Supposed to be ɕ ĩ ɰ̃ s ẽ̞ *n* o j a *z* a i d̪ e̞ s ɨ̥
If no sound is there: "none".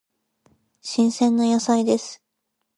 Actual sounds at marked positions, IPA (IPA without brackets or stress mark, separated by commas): nː, s